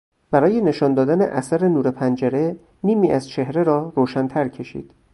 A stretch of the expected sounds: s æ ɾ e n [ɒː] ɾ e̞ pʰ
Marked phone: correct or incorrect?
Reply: incorrect